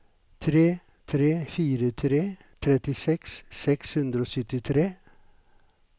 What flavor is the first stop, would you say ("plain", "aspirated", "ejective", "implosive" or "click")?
aspirated